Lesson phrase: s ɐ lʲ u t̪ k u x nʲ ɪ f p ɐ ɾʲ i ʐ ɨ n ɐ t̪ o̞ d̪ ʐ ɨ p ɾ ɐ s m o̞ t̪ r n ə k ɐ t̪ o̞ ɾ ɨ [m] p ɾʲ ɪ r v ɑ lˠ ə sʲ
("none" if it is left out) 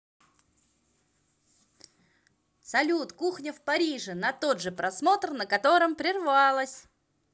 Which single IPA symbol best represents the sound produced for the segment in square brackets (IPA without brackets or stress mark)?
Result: m